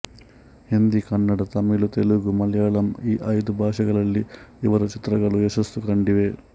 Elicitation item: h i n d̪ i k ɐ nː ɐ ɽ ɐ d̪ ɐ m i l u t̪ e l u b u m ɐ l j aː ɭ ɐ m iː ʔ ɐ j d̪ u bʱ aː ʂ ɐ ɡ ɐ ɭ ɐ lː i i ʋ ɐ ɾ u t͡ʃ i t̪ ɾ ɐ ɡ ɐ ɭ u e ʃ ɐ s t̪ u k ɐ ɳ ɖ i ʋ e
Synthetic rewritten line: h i n d̪ i k ɐ nː ɐ ɽ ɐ t̪ ɐ m i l u t̪ e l u ɡ u m ɐ l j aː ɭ ɐ m iː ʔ ɐ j d̪ u bʱ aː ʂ ɐ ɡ ɐ ɭ ɐ lː i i ʋ ɐ ɾ u t͡ʃ i t̪ ɾ ɐ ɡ ɐ ɭ u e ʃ ɐ s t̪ u k ɐ ɳ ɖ i ʋ e